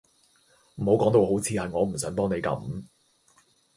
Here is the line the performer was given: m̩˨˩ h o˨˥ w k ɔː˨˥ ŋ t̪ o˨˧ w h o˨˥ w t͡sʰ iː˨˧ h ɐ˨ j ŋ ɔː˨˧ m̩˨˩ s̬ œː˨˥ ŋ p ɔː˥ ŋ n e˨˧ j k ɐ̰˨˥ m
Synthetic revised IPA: m̩˨˩ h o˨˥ w k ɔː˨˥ ŋ t̪ o˨˧ w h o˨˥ w t͡sʰ iː˨˧ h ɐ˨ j ŋ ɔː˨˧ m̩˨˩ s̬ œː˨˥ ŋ p ɔː˥ ŋ n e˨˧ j k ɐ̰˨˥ m